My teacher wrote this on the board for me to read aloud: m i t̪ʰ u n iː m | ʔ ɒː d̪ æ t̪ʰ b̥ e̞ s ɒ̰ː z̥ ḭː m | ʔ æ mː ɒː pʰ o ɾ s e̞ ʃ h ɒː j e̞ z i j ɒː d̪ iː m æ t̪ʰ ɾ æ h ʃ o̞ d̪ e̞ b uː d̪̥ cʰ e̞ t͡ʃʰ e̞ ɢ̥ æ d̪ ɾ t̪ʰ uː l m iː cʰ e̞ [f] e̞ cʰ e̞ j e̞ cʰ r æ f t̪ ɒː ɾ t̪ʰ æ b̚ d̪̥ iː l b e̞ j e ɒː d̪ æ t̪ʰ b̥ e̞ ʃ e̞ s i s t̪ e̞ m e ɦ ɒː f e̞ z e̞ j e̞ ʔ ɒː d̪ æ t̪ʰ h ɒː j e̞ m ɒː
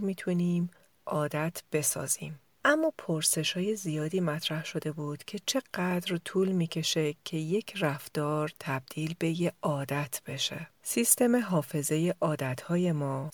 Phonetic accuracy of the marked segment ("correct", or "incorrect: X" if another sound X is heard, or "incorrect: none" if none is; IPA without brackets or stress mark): incorrect: ʃ